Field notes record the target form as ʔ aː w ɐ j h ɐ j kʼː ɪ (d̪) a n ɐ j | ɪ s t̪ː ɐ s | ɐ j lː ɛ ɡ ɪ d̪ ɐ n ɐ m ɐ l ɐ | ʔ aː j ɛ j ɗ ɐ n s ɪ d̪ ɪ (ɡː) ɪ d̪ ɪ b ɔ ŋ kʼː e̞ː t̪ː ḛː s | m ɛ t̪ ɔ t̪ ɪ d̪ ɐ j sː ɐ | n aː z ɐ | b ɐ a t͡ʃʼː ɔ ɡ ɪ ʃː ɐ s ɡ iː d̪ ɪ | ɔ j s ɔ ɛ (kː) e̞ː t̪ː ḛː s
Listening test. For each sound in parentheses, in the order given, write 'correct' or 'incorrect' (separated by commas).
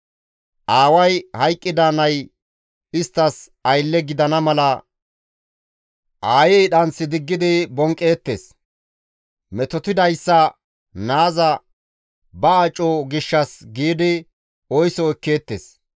correct, correct, correct